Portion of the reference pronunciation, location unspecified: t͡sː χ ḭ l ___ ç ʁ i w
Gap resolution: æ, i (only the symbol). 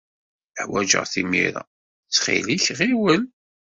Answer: i